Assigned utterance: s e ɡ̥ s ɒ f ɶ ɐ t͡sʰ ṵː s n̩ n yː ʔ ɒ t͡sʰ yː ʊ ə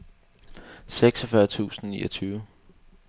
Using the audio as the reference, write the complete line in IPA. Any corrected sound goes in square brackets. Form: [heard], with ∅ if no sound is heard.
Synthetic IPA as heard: s e ɡ̥ s ɒ f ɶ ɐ t͡sʰ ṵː s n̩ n [iː] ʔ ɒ t͡sʰ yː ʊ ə